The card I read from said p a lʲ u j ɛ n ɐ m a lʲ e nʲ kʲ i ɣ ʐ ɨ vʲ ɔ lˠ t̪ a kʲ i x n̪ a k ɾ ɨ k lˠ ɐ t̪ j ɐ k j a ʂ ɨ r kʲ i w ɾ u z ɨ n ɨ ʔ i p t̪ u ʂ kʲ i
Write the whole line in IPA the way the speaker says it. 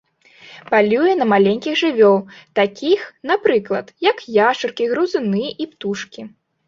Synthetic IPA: p a lʲ u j ɛ n ɐ m a lʲ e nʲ kʲ i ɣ ʐ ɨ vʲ ɔ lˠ t̪ a kʲ i x n̪ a p ɾ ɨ k lˠ ɐ t̪ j ɐ k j a ʂ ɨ r kʲ i ɣ ɾ u z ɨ n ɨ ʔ i p t̪ u ʂ kʲ i